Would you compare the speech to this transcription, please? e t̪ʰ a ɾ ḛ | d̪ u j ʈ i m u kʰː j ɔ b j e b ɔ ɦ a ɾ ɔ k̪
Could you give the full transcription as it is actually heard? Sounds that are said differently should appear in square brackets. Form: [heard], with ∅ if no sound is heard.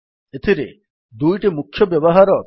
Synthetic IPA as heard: e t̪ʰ [i] ɾ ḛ | d̪ u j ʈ i m u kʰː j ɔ b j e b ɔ ɦ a ɾ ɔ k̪